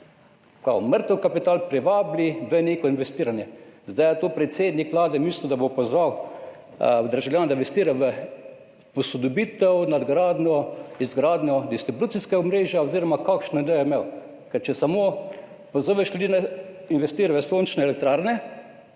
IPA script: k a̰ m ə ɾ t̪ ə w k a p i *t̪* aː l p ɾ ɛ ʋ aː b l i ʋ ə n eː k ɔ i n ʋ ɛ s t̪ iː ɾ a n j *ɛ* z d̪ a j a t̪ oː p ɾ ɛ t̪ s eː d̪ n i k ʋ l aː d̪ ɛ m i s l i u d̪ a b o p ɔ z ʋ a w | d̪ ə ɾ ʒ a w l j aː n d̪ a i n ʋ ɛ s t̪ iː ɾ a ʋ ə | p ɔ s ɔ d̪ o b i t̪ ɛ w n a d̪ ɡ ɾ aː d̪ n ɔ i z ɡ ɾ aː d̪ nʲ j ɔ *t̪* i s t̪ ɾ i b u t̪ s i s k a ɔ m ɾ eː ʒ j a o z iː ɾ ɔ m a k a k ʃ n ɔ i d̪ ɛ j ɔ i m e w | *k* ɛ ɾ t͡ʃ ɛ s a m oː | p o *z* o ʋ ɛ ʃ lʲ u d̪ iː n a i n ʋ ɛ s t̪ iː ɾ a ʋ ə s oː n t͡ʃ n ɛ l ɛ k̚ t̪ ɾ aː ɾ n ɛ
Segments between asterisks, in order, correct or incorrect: correct, correct, incorrect, correct, correct

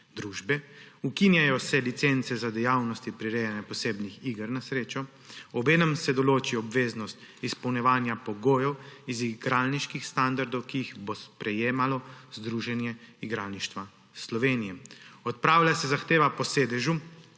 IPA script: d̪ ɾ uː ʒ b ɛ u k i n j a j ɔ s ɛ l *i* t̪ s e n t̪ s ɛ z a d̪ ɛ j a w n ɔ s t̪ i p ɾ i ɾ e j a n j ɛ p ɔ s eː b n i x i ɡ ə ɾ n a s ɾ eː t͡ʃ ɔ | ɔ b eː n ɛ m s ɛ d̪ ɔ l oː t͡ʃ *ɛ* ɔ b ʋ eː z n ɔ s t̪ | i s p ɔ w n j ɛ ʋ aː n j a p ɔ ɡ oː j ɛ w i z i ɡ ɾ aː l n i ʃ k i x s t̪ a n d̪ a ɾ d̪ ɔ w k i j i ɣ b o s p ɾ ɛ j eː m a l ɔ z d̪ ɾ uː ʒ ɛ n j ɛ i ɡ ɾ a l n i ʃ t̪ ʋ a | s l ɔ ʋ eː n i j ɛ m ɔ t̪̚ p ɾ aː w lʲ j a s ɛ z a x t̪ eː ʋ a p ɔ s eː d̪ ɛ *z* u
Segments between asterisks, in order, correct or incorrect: correct, incorrect, incorrect

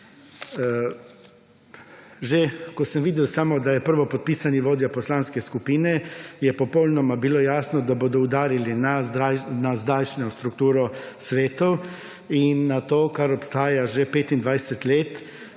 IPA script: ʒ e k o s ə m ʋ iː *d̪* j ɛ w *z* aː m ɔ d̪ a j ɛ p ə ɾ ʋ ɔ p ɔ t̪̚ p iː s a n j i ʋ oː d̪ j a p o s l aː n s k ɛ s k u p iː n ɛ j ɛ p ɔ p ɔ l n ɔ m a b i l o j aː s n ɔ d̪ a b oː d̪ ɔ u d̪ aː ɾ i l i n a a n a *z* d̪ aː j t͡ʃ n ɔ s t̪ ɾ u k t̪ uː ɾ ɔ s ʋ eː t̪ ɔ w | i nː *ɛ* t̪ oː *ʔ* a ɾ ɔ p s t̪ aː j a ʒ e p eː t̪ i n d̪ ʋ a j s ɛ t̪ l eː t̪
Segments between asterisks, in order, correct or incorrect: correct, incorrect, correct, incorrect, incorrect

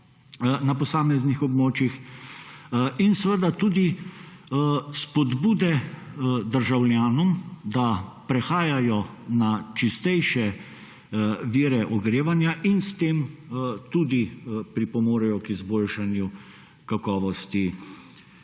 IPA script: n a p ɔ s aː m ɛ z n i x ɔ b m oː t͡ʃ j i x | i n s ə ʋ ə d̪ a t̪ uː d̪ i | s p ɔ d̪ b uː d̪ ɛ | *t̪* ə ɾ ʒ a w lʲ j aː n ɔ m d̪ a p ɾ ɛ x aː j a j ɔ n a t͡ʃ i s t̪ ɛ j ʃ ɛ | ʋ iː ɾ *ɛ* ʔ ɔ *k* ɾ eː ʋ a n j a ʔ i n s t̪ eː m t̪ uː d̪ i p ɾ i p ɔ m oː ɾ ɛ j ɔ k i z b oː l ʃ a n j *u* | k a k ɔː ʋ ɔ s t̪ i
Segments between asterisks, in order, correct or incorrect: incorrect, correct, incorrect, correct

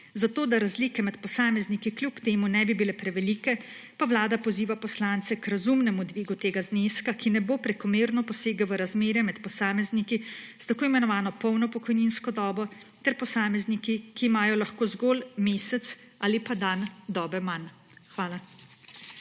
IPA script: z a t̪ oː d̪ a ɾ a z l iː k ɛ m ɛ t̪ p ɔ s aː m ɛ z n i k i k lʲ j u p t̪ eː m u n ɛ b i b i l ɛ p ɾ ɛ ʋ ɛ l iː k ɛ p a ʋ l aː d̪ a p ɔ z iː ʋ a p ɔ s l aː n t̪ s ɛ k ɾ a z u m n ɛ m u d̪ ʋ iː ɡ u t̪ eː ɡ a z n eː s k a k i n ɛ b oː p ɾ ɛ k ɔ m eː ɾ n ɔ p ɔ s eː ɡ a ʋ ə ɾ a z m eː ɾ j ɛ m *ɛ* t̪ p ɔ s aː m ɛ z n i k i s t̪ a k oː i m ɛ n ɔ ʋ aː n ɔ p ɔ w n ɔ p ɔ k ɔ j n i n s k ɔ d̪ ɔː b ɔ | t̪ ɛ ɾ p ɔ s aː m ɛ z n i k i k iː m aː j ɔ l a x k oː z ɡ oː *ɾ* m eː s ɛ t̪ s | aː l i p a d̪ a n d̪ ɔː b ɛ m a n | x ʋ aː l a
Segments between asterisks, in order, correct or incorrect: correct, incorrect

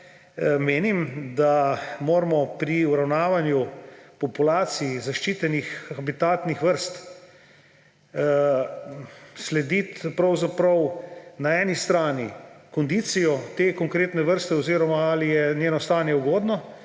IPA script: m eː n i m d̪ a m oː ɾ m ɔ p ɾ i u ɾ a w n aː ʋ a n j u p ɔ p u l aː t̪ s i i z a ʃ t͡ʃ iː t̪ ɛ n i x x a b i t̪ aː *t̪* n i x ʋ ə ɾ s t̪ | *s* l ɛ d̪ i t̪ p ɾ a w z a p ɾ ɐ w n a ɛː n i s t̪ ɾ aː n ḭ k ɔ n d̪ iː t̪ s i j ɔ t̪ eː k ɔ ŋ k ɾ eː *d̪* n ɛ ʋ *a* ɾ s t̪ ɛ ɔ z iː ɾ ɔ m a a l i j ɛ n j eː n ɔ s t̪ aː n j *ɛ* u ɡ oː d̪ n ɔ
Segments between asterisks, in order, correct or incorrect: correct, correct, incorrect, incorrect, correct

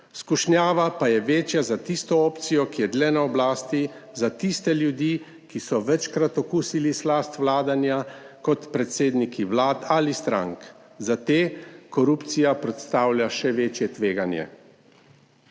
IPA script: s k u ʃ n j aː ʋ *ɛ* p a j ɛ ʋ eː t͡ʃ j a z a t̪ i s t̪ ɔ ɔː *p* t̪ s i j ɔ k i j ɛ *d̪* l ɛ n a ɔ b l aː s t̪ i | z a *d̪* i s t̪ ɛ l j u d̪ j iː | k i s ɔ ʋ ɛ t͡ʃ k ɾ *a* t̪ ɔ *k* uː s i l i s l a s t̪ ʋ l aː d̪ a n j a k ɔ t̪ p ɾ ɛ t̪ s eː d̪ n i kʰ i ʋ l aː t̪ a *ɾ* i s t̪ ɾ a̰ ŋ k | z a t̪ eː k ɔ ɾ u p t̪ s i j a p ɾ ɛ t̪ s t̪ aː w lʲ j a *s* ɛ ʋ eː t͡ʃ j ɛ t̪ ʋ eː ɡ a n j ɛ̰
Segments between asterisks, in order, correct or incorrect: incorrect, correct, correct, incorrect, correct, correct, incorrect, incorrect

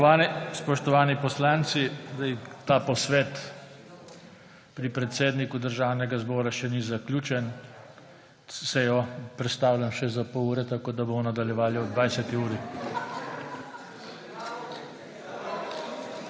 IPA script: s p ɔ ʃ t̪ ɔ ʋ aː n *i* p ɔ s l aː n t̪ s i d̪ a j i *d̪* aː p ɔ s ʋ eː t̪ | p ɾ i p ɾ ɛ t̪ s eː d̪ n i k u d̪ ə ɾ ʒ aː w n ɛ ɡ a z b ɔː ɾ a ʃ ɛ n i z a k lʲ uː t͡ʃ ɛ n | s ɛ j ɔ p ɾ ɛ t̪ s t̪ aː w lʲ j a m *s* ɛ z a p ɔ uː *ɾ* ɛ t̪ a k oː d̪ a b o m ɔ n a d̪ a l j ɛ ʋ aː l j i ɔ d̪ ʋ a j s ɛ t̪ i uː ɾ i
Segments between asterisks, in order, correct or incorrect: correct, incorrect, incorrect, correct

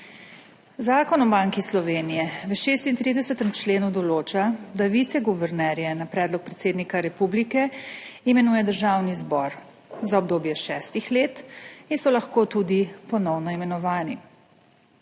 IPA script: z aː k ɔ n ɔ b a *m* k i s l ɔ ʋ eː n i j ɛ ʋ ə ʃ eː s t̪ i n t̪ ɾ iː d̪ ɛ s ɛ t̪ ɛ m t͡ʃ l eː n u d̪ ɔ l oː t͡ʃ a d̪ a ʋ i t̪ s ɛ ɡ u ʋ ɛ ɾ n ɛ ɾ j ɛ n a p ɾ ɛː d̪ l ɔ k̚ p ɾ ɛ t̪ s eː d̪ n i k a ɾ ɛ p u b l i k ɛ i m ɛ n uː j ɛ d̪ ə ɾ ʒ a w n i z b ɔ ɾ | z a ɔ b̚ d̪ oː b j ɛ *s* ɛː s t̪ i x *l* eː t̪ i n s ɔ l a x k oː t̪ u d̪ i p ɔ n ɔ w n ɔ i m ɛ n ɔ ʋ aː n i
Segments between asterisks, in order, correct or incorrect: incorrect, incorrect, correct

